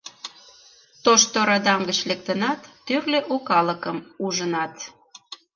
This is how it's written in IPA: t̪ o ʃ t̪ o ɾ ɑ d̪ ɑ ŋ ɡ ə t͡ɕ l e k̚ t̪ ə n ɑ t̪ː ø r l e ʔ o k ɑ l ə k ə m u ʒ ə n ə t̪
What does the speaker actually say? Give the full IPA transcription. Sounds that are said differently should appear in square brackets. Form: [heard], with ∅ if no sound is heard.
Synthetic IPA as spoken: t̪ o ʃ t̪ o ɾ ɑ d̪ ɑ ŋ ɡ ə t͡ɕ l e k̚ t̪ ə n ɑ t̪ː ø r l e ʔ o k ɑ l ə k ə m u ʒ ə n [ɑ] t̪

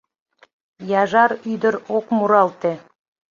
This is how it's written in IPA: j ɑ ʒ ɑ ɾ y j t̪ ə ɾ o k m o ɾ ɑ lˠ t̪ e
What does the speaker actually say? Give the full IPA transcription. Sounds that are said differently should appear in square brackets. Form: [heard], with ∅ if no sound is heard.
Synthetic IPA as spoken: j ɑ ʒ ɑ ɾ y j [d̪] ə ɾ o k m [u] ɾ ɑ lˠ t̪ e

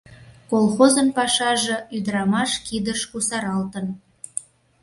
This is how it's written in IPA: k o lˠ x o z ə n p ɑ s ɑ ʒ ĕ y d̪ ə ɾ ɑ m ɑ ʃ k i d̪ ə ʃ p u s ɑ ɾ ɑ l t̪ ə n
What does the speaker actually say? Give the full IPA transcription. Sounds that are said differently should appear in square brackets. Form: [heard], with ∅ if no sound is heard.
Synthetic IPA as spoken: k o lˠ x o z ə n p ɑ [ʃ] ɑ ʒ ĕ y d̪ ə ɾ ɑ m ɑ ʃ k i d̪ ə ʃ [k] u s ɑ ɾ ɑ l t̪ ə n

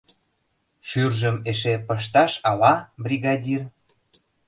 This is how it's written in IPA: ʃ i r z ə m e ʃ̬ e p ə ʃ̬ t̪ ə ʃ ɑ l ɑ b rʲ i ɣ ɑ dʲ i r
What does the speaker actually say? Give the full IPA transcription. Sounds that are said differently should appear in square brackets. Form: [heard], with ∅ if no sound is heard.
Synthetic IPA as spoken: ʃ [y] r [ʒ] ə m e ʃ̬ e p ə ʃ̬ t̪ [ɑ] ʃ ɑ l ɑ b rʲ i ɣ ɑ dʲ i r

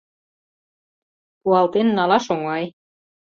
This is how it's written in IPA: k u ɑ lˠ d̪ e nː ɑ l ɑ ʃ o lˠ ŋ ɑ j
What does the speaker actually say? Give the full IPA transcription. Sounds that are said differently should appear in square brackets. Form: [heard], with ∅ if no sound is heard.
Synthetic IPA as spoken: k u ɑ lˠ [t̪] e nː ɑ l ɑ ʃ o [∅] ŋ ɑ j

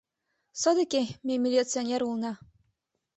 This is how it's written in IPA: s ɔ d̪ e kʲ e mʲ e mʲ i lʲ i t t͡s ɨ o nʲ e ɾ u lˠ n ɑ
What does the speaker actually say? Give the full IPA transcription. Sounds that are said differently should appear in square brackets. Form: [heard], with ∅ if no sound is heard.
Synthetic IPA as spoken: s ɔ d̪ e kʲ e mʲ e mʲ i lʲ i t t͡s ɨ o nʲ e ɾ u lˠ n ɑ

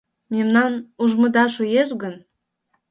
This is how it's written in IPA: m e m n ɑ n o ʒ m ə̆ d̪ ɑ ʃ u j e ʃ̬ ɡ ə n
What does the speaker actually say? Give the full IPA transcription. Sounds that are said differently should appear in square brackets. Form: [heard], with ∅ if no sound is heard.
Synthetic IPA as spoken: m e m n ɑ n [u] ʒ m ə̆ d̪ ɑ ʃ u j e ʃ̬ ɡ ə n

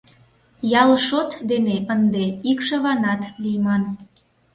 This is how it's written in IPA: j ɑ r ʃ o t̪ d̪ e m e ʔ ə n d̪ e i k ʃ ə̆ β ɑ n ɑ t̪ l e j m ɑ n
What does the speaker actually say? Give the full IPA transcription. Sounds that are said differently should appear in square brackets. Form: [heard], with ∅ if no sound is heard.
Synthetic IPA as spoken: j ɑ [l] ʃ o t̪ d̪ e [n] e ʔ ə n d̪ e i k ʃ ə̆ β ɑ n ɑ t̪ l [i] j m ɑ n

